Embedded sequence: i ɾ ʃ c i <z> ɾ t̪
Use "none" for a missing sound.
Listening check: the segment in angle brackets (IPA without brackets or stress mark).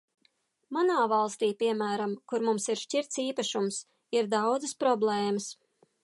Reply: none